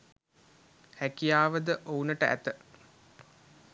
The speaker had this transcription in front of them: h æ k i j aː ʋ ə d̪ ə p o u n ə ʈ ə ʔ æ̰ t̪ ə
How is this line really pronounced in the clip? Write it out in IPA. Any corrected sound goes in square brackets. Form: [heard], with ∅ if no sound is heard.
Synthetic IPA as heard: h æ k i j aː ʋ ə d̪ ə [ʔ] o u n ə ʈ ə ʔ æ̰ t̪ ə